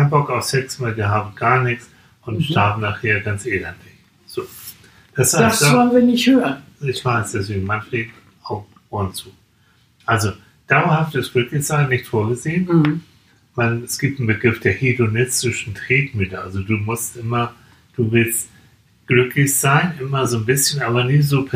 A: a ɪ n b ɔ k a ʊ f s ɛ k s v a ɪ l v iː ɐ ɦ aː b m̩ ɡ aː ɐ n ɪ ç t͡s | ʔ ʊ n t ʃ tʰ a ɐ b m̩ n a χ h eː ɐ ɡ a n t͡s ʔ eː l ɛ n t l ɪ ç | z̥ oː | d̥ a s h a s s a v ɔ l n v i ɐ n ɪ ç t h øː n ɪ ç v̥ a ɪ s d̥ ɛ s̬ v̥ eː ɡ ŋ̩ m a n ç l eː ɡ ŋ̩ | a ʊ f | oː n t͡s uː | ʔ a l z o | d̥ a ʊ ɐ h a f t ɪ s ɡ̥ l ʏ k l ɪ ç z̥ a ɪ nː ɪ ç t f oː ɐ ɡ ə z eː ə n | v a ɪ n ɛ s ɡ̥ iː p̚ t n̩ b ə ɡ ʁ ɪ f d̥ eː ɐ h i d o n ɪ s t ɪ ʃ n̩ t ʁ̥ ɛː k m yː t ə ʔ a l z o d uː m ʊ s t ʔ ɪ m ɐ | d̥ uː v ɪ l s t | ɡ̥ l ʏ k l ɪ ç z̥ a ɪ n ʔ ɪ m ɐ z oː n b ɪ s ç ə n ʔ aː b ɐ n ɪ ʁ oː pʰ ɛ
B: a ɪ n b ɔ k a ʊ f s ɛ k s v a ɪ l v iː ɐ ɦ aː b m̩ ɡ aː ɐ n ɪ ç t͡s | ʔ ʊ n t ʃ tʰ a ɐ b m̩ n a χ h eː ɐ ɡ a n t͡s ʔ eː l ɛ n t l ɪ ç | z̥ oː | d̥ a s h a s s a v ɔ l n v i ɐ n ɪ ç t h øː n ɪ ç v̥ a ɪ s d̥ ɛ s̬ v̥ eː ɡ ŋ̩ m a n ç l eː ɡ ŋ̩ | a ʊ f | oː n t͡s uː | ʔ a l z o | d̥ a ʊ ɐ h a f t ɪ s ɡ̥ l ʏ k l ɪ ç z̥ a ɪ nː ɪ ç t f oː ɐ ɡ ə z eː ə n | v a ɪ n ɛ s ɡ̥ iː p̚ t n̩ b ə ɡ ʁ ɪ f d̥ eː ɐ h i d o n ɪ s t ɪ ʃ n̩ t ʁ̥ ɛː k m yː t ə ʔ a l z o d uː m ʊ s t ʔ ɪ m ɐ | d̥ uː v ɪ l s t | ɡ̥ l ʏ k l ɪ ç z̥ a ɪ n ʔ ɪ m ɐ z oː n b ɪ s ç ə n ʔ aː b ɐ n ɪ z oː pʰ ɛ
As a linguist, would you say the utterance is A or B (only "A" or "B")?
B